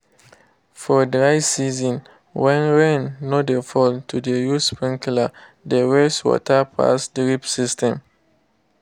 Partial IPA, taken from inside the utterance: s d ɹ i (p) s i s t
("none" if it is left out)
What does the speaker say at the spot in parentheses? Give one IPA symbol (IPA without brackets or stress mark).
p